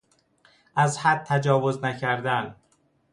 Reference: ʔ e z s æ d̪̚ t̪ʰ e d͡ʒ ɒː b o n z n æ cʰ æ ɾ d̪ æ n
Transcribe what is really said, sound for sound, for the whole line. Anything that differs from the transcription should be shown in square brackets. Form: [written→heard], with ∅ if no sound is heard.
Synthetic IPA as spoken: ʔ [e→æ] z [s→h] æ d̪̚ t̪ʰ [e→æ] d͡ʒ ɒː [b→v] o [n→∅] z n æ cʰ æ ɾ d̪ æ n